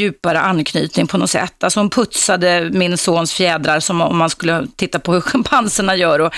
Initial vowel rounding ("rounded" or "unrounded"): rounded